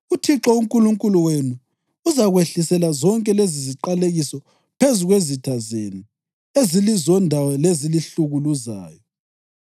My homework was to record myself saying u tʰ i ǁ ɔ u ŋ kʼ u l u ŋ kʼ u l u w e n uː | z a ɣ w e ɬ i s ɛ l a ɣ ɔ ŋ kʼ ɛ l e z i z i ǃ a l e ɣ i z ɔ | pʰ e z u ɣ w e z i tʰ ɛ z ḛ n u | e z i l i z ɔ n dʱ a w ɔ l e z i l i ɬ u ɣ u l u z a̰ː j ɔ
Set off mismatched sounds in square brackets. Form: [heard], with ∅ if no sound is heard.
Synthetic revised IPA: u tʰ i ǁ ɔ u ŋ kʼ u l u ŋ kʼ u l u w e n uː | z a ɣ w e ɬ i s ɛ l a [z] ɔ ŋ kʼ ɛ l e z i z i ǃ a l e ɣ i [s] ɔ | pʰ e z u ɣ w e z i tʰ [a] z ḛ n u | e z i l i z ɔ n dʱ a w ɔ l e z i l i ɬ u ɣ u l u z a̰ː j ɔ